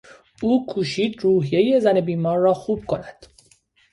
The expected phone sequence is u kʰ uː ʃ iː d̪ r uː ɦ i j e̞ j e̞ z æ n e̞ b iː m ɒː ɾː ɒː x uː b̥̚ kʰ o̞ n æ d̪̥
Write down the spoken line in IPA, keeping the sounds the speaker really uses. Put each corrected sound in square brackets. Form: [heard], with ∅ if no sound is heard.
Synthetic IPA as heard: [uː] kʰ uː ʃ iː d̪ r uː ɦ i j e̞ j e̞ z æ n e̞ b iː m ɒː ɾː ɒː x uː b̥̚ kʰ o̞ n æ d̪̥